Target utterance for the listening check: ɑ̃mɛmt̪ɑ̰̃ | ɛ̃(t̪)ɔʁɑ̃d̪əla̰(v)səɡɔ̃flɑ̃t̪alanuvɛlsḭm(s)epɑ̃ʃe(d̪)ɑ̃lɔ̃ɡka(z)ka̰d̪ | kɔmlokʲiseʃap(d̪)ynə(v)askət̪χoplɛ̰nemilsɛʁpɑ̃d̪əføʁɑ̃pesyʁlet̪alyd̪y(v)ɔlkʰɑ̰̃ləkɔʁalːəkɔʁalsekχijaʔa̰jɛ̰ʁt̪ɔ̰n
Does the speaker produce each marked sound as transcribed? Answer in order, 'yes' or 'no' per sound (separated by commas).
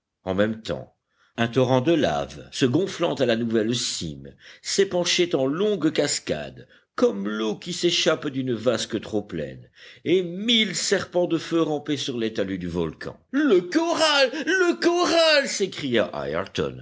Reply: yes, yes, yes, no, no, yes, yes, yes